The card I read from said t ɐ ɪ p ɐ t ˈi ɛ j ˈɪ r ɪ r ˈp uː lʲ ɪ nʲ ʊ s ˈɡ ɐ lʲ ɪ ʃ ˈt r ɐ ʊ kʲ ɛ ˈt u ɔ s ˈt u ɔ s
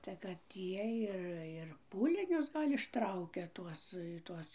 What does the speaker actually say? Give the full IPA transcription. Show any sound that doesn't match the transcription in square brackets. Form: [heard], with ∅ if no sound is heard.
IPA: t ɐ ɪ [k] ɐ t ˈi ɛ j ˈɪ r ɪ r ˈp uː lʲ ɪ nʲ ʊ s ˈɡ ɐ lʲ ɪ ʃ ˈt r ɐ ʊ kʲ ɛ ˈt u ɔ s ˈt u ɔ s